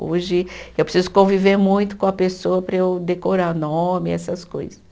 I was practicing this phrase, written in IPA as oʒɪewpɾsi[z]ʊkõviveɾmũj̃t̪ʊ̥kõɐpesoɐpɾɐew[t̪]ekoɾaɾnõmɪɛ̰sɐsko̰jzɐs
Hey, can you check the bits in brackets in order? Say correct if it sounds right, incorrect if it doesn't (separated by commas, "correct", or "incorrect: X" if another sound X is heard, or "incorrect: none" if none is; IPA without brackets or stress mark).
correct, incorrect: d̪